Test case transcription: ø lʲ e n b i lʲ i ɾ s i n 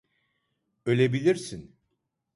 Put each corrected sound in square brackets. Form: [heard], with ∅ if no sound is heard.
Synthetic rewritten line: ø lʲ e [∅] b i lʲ i ɾ s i n